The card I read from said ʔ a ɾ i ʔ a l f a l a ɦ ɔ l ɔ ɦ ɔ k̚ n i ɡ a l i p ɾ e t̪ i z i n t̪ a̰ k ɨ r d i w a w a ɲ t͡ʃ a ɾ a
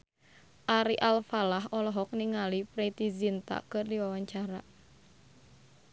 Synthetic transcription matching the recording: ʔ a ɾ i ʔ a l f a l a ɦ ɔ l ɔ ɦ ɔ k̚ n i ŋ a l i p ɾ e t̪ i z i n t̪ a̰ k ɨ r d i w a w a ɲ t͡ʃ a ɾ a

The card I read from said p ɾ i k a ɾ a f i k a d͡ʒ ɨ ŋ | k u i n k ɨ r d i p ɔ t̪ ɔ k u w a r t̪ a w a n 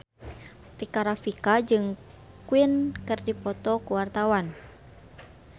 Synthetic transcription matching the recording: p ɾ i k a ɾ a f i k a d͡ʒ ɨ ŋ | k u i n k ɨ r d i p ɔ t̪ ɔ k u w a r t̪ a w a n

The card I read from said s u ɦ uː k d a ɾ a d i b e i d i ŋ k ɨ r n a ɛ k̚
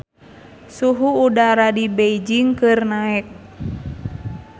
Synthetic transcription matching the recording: s u ɦ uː d a ɾ a d i b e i d͡ʒ i ŋ k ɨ r n a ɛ k̚

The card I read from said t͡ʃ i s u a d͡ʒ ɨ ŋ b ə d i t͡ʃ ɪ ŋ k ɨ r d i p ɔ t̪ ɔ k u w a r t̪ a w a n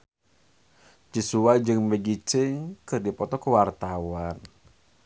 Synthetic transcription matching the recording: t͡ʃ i s u a d͡ʒ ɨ ŋ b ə ɡ i t͡ʃ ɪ ŋ k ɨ r d i p ɔ t̪ ɔ k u w a r t̪ a w a n

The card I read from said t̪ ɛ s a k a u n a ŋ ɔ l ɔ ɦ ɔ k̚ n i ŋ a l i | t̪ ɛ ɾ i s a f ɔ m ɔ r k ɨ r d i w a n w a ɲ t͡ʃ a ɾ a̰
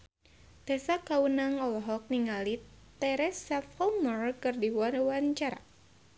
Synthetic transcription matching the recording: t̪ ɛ s a k a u n a ŋ ɔ l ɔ ɦ ɔ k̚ n i ŋ a l i | t̪ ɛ ɾ ɛ s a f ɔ m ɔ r k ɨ r d i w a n w a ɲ t͡ʃ a ɾ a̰

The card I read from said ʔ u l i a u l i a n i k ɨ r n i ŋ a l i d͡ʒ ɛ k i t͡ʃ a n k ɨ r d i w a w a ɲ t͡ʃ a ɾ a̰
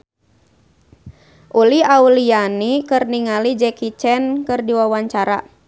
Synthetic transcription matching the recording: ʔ u l i a u l i a n i k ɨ r n i ŋ a l i d͡ʒ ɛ k i t͡ʃ ɛ n k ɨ r d i w a w a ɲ t͡ʃ a ɾ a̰

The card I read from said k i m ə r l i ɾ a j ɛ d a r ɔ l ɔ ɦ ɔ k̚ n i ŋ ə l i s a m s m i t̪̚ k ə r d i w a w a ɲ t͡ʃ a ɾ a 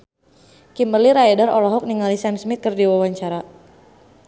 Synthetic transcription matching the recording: k i m ə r l i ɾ a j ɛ d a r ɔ l ɔ ɦ ɔ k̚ n i ŋ a l i s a m s m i t̪̚ k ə r d i w a w a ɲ t͡ʃ a ɾ a

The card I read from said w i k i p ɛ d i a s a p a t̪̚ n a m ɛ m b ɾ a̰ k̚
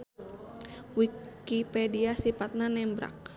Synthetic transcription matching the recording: w i k i p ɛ d i a s i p a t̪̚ n a n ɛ m b ɾ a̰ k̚

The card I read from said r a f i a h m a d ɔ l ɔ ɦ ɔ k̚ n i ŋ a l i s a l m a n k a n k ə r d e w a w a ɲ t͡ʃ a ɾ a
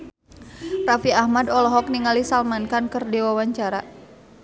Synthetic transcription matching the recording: r a f i a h m a d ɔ l ɔ ɦ ɔ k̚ n i ŋ a l i s a l m a n k a n k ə r d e w a w a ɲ t͡ʃ a ɾ a

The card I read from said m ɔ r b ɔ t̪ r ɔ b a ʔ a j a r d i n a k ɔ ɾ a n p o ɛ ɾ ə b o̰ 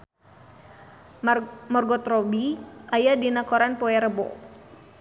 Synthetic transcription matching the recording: m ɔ r ɡ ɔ t̪ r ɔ b i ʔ a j a d i n a k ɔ ɾ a n p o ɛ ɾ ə b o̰

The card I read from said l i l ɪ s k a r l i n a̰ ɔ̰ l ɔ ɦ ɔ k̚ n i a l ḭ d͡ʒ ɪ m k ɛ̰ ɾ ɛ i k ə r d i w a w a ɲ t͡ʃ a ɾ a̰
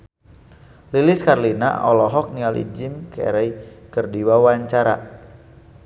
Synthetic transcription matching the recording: l i l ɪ s k a r l i n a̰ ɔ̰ l ɔ ɦ ɔ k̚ n i a l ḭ d͡ʒ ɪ m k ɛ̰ ɾ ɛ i k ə r d i w a w a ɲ t͡ʃ a ɾ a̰

